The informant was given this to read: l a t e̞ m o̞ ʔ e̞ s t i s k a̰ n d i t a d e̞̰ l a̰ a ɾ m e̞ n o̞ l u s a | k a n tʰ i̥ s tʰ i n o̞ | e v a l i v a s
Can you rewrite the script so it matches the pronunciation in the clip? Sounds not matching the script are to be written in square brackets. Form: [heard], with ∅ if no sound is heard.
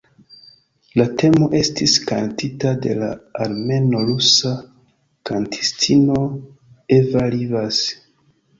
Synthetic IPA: l a t e̞ m o̞ ʔ e̞ s t i s k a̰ n [t] i t a d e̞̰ l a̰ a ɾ m e̞ n o̞ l u s a | k a n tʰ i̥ s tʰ i n o̞ | e v a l i v a s